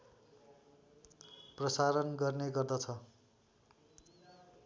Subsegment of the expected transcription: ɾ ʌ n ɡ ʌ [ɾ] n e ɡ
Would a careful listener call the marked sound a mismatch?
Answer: yes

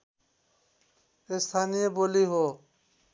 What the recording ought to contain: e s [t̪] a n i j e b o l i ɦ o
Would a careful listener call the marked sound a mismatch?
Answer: yes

